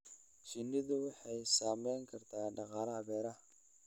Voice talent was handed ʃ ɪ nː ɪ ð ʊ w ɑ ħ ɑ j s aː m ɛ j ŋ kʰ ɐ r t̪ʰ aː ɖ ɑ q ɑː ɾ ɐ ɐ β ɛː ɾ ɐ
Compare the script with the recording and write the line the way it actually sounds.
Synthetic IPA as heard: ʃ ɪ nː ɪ ð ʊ w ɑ ħ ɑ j s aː m ɛ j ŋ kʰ ɐ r t̪ʰ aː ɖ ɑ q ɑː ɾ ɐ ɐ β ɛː ɾ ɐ